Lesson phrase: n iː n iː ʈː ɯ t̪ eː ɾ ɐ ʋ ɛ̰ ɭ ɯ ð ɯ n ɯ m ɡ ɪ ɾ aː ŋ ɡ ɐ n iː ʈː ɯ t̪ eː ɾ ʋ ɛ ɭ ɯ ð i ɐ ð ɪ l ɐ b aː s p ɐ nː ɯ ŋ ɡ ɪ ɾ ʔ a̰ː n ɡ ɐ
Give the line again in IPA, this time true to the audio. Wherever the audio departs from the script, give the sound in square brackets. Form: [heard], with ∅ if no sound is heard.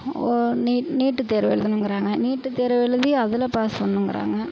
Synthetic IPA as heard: n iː n iː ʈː ɯ t̪ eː ɾ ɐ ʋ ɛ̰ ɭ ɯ ð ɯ n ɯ [ŋ] ɡ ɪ ɾ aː ŋ ɡ ɐ n iː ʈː ɯ t̪ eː ɾ ʋ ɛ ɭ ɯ ð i ɐ ð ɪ l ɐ [p] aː s p ɐ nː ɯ ŋ ɡ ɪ ɾ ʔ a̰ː [ŋ] ɡ ɐ